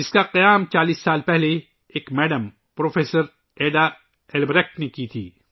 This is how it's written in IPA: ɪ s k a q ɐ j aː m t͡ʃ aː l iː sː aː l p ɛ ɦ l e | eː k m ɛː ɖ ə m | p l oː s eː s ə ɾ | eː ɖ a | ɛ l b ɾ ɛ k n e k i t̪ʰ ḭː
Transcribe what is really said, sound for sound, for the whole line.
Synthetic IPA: ɪ s k a q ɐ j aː m t͡ʃ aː l iː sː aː l p ɛ ɦ l e | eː k m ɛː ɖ ə m | p ɾ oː f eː s ə ɾ | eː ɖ a | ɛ l b ɾ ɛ k n e k i t̪ʰ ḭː